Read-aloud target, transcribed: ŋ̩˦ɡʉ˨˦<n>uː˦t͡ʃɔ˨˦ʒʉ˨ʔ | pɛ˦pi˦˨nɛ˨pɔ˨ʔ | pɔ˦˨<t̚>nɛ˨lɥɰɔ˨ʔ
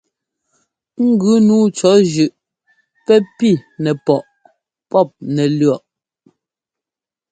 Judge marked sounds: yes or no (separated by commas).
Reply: yes, no